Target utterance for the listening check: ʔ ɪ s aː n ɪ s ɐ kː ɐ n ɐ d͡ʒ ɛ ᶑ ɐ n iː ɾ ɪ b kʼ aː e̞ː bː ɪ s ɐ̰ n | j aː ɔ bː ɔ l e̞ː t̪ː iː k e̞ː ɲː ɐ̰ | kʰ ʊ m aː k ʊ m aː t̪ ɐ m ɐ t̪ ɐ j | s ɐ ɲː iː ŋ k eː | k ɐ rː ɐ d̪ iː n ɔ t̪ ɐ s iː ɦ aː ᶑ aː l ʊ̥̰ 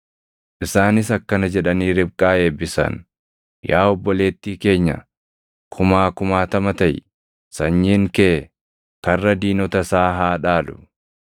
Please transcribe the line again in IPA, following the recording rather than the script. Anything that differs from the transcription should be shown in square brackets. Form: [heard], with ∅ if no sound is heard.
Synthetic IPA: ʔ ɪ s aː n ɪ s ɐ kː ɐ n ɐ d͡ʒ ɛ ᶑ ɐ n iː ɾ ɪ b kʼ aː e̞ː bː ɪ s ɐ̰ n | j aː ɔ bː ɔ l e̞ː t̪ː iː k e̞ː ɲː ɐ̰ | kʰ ʊ m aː k ʊ m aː t̪ ɐ m ɐ t̪ ɐ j | s ɐ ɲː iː ŋ k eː | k ɐ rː ɐ d̪ iː n ɔ t̪ ɐ s [aː] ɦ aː ᶑ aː l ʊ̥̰

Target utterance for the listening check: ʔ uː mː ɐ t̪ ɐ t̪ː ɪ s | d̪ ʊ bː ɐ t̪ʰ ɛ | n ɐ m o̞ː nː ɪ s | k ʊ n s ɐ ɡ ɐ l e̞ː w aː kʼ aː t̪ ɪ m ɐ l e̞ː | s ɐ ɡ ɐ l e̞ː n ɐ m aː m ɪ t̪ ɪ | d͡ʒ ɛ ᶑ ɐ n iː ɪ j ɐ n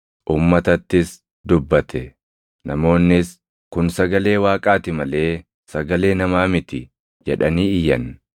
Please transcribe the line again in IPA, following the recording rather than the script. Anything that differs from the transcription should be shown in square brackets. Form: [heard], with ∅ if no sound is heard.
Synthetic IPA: ʔ uː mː ɐ t̪ ɐ t̪ː ɪ s | d̪ ʊ bː ɐ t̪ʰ ɛ | n ɐ m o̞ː nː ɪ s | k ʊ n s ɐ ɡ ɐ l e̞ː w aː kʼ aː t̪ ɪ m ɐ l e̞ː | s ɐ ɡ ɐ l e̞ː n ɐ m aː m ɪ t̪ ɪ | d͡ʒ ɛ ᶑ ɐ n iː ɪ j ɐ n

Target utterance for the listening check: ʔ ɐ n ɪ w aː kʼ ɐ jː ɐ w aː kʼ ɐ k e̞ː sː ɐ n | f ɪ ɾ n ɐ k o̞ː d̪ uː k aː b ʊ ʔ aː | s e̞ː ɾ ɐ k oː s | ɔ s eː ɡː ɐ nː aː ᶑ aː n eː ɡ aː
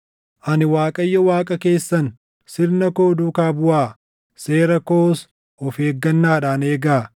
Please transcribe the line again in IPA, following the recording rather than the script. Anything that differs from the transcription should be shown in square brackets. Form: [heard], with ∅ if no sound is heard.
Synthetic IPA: ʔ ɐ n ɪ w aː kʼ ɐ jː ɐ w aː kʼ ɐ k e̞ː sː ɐ n | [s] ɪ ɾ n ɐ k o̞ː d̪ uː k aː b ʊ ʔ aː | s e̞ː ɾ ɐ k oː s | ɔ [f] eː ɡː ɐ nː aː ᶑ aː n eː ɡ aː

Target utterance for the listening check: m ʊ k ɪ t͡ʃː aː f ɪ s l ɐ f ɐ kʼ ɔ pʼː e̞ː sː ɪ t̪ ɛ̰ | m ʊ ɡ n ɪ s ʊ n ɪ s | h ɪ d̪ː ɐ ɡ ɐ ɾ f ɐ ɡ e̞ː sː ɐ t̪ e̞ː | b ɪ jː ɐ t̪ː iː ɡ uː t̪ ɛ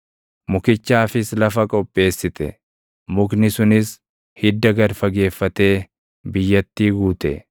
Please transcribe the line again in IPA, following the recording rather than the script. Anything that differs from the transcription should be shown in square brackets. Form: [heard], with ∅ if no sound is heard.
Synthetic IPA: m ʊ k ɪ t͡ʃː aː f ɪ s l ɐ f ɐ kʼ ɔ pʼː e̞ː sː ɪ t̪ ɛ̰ | m ʊ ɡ n ɪ s ʊ n ɪ s | h ɪ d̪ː ɐ ɡ ɐ ɾ f ɐ ɡ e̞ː [fː] ɐ t̪ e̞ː | b ɪ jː ɐ t̪ː iː ɡ uː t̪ ɛ

